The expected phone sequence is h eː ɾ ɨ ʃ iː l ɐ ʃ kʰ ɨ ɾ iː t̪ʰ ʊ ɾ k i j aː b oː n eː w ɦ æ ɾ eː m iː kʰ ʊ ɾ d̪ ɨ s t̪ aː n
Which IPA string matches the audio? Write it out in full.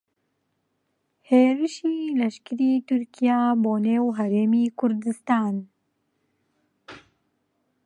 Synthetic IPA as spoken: h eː ɾ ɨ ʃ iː l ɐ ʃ k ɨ ɾ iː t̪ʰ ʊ ɾ k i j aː b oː n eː w ɦ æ ɾ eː m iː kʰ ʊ ɾ d̪ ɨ s t̪ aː n